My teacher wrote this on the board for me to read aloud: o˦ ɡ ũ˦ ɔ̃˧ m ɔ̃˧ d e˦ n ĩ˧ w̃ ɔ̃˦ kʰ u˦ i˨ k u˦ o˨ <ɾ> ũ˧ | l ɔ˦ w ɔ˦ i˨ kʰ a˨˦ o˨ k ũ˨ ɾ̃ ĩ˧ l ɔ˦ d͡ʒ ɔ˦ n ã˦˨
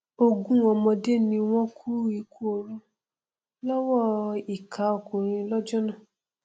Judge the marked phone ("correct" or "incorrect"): correct